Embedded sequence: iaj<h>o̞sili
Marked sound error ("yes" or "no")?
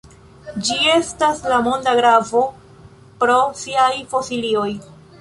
yes